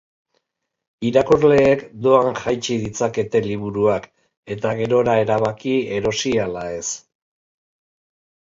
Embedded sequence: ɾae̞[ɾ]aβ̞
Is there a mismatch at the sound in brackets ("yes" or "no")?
no